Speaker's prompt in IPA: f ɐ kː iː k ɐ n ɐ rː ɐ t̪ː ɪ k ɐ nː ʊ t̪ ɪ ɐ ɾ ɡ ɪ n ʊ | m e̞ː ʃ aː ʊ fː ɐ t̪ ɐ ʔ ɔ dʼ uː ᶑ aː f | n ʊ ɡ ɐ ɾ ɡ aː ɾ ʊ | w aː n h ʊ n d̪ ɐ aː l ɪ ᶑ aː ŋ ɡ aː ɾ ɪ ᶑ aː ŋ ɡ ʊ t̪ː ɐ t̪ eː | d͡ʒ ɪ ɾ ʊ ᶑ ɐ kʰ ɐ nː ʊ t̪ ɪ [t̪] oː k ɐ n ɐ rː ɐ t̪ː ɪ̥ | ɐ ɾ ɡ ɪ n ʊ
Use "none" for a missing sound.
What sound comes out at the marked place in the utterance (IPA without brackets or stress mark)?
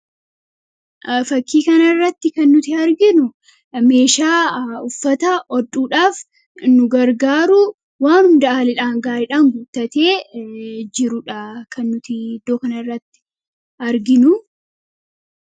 d̪